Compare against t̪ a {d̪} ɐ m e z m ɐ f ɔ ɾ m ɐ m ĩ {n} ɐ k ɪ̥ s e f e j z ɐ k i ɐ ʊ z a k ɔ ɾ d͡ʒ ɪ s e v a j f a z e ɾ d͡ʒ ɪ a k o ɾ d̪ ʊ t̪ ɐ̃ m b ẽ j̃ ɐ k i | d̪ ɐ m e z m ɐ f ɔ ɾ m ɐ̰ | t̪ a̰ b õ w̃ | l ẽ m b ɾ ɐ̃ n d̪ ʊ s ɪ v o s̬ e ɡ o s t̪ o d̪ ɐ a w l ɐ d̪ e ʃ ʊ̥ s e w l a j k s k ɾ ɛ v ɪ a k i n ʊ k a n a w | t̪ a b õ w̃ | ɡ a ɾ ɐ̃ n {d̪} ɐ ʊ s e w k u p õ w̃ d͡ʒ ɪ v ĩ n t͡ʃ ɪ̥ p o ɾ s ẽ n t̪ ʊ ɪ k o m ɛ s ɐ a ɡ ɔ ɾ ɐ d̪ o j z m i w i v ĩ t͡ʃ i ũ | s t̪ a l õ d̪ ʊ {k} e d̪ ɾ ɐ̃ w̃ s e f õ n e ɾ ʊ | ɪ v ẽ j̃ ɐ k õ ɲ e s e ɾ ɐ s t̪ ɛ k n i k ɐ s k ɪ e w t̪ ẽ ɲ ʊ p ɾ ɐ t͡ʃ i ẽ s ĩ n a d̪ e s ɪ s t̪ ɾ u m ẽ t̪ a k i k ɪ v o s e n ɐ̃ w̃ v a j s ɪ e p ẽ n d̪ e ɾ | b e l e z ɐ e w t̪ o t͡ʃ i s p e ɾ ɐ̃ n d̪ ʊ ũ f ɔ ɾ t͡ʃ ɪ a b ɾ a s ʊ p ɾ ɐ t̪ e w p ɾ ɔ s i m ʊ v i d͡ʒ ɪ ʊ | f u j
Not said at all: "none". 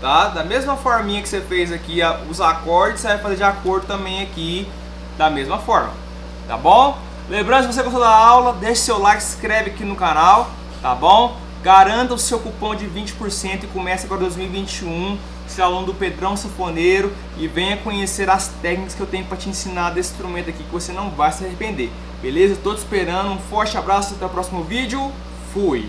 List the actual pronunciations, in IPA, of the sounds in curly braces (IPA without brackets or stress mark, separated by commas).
d̪, ɲ, t̪, p